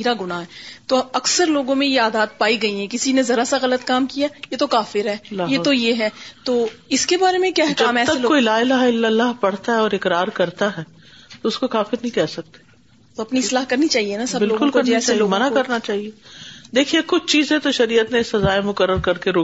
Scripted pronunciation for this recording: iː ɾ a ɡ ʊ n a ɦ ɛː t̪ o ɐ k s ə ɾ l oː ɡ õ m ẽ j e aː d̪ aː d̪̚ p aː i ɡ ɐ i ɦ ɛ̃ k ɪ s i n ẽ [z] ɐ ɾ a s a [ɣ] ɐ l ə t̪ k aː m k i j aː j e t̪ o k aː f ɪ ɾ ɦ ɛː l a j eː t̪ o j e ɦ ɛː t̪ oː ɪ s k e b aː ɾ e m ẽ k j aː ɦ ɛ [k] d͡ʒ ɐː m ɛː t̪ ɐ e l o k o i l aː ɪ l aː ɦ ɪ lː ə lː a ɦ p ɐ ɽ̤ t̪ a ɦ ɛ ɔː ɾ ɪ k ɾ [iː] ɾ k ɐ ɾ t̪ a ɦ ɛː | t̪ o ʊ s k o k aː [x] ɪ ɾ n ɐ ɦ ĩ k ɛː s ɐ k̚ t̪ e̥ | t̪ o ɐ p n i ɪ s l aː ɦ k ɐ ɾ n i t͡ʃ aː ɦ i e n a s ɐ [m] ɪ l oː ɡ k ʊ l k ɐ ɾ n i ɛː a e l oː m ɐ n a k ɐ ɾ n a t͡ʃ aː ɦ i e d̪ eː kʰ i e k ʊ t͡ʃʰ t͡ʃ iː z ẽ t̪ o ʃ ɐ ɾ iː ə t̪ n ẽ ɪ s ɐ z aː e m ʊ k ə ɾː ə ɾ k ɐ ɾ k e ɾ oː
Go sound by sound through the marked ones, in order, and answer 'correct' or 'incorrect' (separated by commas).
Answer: correct, correct, correct, incorrect, incorrect, incorrect